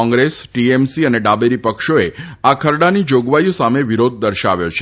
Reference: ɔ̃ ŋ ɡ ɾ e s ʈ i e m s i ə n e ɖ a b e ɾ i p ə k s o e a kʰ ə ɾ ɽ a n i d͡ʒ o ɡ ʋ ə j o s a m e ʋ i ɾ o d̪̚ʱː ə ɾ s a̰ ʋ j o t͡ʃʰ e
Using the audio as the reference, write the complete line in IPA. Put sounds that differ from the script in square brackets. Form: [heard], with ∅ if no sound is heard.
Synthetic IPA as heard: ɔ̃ ŋ ɡ ɾ e s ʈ i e m s i ə n e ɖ a b e ɾ i p ə k [ʃ] o e a kʰ ə ɾ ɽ a n i d͡ʒ o ɡ ʋ [a] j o s a m e ʋ i ɾ o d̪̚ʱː ə ɾ [ʃ] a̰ ʋ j o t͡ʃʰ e